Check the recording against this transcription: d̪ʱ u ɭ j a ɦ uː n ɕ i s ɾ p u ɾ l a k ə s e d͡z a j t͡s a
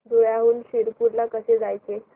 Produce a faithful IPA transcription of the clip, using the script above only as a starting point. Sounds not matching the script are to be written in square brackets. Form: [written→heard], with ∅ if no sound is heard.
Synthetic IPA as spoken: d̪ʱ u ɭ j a ɦ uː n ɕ i [s→∅] ɾ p u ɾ l a k ə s e d͡z a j t͡s [a→e]

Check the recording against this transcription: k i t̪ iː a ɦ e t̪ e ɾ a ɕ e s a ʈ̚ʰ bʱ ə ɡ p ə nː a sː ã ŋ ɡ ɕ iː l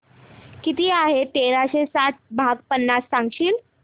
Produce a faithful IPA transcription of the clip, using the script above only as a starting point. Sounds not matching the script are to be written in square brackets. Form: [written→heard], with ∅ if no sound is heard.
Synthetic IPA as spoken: k i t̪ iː a ɦ e t̪ e ɾ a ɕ e s a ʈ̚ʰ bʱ [ə→a] ɡ p ə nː a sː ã ŋ ɡ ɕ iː l

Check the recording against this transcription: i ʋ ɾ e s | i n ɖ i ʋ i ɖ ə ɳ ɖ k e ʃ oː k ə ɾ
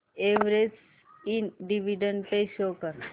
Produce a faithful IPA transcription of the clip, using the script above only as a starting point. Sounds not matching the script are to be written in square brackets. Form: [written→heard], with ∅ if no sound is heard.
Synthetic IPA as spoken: [i→e] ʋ ɾ e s | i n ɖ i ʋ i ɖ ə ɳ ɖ [k→p] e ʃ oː k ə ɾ

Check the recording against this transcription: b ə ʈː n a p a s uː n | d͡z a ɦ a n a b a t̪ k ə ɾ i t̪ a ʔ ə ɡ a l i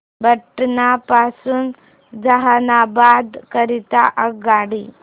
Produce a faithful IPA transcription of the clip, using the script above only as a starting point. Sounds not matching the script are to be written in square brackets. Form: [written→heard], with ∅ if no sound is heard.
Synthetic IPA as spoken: b ə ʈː n a p a s uː n | d͡z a ɦ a n a b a [t̪→d̪] k ə ɾ i t̪ a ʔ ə ɡ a [l→ɽ] i

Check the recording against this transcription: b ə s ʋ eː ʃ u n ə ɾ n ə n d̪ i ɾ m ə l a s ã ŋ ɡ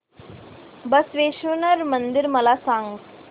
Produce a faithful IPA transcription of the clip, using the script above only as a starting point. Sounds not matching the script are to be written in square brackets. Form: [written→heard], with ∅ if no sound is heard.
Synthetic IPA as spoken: b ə s ʋ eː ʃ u n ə ɾ [n→m] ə n d̪ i ɾ m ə l a s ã ŋ ɡ

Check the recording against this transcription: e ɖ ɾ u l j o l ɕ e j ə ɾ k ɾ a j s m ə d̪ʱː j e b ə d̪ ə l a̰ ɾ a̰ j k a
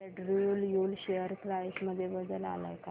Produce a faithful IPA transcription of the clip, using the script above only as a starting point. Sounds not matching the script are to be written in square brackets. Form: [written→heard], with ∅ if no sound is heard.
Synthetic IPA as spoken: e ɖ ɾ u l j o l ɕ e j ə ɾ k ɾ a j s m ə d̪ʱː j e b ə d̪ ə l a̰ [ɾ→l] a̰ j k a

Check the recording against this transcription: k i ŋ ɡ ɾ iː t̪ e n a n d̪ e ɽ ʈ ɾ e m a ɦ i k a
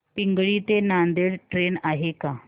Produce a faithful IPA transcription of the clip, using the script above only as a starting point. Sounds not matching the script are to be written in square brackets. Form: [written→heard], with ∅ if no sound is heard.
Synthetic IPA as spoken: [k→p] i ŋ ɡ [ɾ→ɭ] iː t̪ e n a n d̪ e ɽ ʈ ɾ e [m→n] a ɦ [i→e] k a

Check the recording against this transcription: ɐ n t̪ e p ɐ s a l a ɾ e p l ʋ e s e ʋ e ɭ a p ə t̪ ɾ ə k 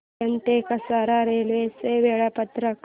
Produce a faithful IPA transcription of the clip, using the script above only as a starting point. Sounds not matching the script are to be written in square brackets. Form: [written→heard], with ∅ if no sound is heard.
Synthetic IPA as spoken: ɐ n t̪ e [p→k] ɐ s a [l→ɾ] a ɾ e [p→∅] l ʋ e s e ʋ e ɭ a p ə t̪ ɾ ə k

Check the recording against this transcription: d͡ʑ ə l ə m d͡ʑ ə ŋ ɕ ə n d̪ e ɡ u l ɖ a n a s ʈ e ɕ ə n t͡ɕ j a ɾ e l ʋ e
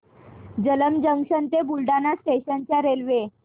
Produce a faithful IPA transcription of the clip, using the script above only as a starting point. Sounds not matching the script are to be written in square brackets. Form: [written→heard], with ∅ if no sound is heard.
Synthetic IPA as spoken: d͡ʑ ə l ə m d͡ʑ ə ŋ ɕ ə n [d̪→t̪] e [ɡ→b] u l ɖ a n a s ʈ e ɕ ə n t͡ɕ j a ɾ e l ʋ e

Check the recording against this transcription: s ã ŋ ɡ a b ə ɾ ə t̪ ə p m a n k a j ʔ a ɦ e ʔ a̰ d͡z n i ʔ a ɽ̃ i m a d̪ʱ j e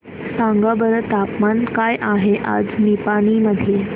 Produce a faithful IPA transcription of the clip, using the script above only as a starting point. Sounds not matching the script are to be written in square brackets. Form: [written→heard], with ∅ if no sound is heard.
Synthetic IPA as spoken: s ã ŋ ɡ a b ə ɾ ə t̪ [ə→a] p m a n k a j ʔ a ɦ e ʔ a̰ d͡z n i [ʔ→p] a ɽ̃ i m [a→ə] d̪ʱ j e

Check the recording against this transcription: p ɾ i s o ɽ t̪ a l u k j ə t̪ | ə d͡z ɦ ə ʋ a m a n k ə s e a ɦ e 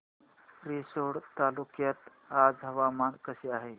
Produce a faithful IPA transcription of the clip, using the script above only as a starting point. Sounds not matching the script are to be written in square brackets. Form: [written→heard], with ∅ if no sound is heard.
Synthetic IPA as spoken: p ɾ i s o ɽ t̪ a l u k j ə t̪ | [ə→a] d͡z ɦ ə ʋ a m a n k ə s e a ɦ e

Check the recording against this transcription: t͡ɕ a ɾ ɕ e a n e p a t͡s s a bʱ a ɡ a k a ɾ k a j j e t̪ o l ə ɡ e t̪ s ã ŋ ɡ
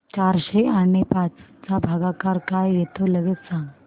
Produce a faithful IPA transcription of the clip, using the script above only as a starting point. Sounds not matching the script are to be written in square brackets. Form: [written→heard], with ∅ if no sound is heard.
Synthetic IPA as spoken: t͡ɕ a ɾ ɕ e a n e p a t͡s [s→t͡s] a bʱ a ɡ a k a ɾ k a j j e t̪ o l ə ɡ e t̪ s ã ŋ ɡ

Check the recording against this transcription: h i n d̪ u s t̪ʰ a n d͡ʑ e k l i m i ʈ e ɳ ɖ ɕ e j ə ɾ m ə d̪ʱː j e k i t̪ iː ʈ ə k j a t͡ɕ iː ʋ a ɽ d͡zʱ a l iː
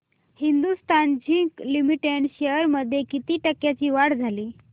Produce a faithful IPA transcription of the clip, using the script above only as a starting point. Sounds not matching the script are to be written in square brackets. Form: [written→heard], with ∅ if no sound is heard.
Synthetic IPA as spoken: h i n d̪ u s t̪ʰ a n d͡ʑ [e→i] k l i m i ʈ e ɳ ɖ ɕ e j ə ɾ m ə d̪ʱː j e k i t̪ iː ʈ ə k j a t͡ɕ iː ʋ a ɽ d͡zʱ a l iː

